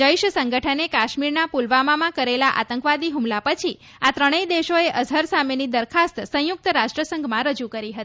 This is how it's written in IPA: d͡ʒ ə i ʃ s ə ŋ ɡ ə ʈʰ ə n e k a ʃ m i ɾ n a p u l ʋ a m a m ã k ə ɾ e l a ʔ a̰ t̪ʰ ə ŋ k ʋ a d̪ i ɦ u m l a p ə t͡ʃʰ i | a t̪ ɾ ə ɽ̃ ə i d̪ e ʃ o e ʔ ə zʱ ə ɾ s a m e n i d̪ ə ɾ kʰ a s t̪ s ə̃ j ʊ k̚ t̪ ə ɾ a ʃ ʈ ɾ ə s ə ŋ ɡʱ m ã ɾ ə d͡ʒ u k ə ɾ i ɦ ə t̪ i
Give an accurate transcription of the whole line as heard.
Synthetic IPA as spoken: d͡ʒ ə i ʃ s ə ŋ ɡ ə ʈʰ ə n e k a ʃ m i ɾ n a p u l ʋ a m a m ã k ə ɾ e l a ʔ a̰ t̪ ə ŋ k ʋ a d̪ i ɦ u m l a p ə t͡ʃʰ i | a t̪ ɾ ə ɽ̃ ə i d̪ e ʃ o e ʔ ə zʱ ə ɾ s a m e n i d̪ ə ɾ kʰ a s t̪ s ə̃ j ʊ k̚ t̪ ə ɾ a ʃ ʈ ɾ ə s ə ŋ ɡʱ m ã ɾ ə d͡ʒ u k ə ɾ i ɦ ə t̪ i

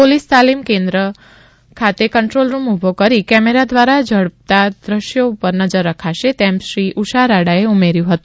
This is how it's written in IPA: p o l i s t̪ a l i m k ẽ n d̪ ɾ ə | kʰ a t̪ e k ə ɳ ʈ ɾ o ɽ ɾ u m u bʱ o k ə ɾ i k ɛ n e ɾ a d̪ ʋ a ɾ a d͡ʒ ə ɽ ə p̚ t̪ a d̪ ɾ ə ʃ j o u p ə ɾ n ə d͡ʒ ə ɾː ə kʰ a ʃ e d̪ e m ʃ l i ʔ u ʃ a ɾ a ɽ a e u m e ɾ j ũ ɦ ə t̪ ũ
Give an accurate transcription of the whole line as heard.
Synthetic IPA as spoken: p o l i s t̪ a l i m k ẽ n d̪ ɾ ə | kʰ a t̪ e k ə ɳ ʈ ɾ o l ɾ u m u bʱ o k ə ɾ i k ɛ m e ɾ a d̪ ʋ a ɾ a d͡ʒ ə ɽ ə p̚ t̪ a d̪ ɾ ə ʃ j o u p ə ɾ n ə d͡ʒ ə ɾː ə kʰ a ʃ e t̪ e m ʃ ɾ i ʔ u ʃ a ɾ a ɽ a e u m e ɾ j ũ ɦ ə t̪ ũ

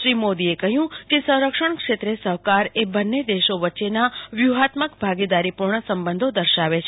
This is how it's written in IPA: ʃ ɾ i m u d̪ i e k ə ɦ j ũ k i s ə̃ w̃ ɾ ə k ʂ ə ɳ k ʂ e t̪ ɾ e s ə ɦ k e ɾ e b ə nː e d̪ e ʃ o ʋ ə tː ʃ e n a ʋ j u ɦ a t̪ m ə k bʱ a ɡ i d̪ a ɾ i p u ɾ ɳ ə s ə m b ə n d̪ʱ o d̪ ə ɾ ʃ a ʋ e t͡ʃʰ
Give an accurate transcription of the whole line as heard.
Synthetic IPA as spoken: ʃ ɾ i m o d̪ i e k ə ɦ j ũ k e s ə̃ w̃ ɾ ə k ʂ ə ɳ k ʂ e t̪ ɾ e s ə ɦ k a ɾ e b ə nː e d̪ e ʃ o ʋ ə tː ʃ e n a ʋ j u ɦ a t̪ m ə k bʱ a ɡ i d̪ a ɾ i p u ɾ ɳ ə s ə m b ə n d̪ʱ o d̪ ə ɾ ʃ a ʋ e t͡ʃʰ

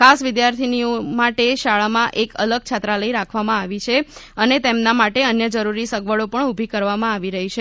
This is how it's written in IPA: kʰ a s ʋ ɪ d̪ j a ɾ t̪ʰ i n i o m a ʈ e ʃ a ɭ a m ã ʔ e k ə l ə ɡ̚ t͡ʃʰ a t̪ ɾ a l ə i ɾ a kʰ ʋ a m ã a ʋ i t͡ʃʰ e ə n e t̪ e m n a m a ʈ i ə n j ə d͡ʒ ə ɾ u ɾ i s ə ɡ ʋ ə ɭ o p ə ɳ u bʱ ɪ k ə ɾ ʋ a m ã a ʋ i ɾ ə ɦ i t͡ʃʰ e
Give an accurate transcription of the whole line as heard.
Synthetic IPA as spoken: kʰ a s ʋ ɪ d̪ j a ɾ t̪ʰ i n i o m a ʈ e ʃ a ɭ a m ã ʔ e k ə l ə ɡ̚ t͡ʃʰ a t̪ ɾ a l ə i ɾ a kʰ ʋ a m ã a ʋ i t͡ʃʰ e ə n e t̪ e m n a m a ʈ e ə n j ə d͡ʒ ə ɾ u ɾ i s ə ɡ ʋ ə ɭ o p ə ɳ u bʱ i k ə ɾ ʋ a m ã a ʋ i ɾ ə ɦ i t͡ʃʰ e

